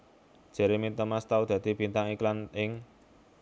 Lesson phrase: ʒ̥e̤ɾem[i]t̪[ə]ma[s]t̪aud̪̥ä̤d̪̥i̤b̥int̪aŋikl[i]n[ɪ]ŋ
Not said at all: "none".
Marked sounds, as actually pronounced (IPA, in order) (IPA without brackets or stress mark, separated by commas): i, ə, s, a, ɪ